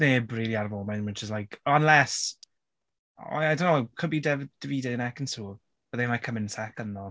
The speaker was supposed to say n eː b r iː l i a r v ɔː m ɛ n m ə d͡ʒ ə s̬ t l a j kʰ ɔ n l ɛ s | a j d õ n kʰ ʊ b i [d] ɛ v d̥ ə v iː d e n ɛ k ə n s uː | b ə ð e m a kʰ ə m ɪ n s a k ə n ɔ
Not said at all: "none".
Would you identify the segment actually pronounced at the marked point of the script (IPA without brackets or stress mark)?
d